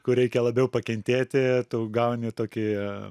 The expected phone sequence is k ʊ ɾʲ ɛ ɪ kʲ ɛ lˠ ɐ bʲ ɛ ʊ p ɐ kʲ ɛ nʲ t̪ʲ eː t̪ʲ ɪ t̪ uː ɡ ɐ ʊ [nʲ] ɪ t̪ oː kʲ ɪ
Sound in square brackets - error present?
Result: no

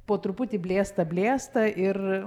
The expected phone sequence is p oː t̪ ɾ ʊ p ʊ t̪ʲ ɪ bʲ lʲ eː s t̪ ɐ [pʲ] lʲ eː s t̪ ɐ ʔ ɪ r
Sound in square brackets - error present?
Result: yes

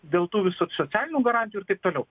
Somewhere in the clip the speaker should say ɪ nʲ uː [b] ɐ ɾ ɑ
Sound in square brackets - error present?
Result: yes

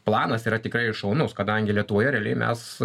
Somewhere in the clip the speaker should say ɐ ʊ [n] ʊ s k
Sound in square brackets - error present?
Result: no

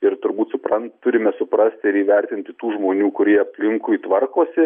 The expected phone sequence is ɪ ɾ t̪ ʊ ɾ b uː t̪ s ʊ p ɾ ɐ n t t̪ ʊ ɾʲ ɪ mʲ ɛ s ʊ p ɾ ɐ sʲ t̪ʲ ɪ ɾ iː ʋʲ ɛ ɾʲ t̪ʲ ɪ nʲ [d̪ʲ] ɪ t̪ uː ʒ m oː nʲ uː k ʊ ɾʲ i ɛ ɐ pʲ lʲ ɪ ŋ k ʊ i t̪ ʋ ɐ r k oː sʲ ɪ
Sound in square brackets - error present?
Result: yes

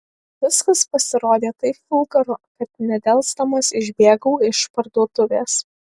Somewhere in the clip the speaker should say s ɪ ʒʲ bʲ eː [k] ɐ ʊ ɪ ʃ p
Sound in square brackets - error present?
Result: yes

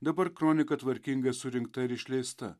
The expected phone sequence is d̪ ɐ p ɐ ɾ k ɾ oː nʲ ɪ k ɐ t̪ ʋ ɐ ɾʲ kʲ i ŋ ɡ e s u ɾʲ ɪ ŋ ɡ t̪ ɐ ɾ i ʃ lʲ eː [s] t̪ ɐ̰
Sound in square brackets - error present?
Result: no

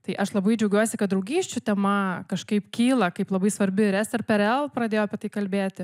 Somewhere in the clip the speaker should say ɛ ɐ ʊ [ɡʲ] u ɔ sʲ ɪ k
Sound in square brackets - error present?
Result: no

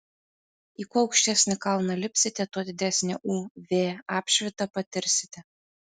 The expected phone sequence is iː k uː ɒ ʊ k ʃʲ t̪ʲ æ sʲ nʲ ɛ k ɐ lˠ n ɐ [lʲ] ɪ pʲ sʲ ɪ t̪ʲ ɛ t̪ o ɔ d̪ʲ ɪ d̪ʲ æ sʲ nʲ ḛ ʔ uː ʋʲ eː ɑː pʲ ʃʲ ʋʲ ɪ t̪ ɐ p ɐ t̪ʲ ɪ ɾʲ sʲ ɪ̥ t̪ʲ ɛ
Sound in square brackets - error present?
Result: no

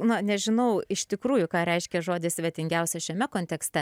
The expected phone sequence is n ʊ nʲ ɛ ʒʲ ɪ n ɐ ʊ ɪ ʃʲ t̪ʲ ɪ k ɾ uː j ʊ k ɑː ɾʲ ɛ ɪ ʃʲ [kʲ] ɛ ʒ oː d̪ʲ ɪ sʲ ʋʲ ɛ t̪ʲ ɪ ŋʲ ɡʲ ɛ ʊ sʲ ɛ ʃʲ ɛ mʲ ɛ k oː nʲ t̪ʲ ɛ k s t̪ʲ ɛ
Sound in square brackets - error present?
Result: no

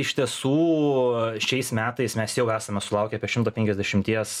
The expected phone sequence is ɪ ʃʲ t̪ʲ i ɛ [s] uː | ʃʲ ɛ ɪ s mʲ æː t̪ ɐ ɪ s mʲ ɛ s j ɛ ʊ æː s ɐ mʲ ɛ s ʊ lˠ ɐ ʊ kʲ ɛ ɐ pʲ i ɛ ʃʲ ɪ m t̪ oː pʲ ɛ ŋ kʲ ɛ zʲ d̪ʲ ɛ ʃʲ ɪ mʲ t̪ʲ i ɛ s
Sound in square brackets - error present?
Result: no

